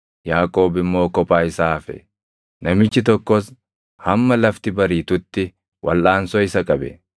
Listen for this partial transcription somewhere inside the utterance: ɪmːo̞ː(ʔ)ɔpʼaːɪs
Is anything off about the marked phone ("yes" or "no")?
yes